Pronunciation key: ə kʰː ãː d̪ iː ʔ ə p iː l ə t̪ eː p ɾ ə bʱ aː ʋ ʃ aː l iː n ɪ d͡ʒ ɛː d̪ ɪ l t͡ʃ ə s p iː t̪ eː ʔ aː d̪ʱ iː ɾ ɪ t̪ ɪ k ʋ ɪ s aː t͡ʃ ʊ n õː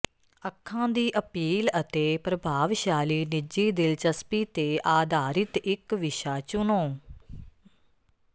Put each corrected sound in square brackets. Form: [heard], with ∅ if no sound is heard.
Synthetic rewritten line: ə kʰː ãː d̪ iː ʔ ə p iː l ə t̪ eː p ɾ ə bʱ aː ʋ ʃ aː l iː n ɪ d͡ʒ [iː] d̪ ɪ l t͡ʃ ə s p iː t̪ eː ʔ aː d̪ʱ [aː] ɾ ɪ t̪ ɪ k ʋ ɪ [ʃ] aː t͡ʃ ʊ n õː